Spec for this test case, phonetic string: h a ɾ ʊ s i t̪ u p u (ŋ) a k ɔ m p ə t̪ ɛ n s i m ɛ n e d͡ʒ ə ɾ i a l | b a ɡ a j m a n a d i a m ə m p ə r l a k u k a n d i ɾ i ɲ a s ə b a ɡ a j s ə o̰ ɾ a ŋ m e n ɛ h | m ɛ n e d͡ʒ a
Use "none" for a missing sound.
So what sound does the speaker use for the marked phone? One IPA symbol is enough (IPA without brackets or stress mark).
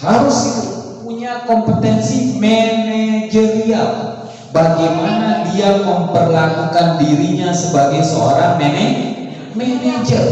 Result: ɲ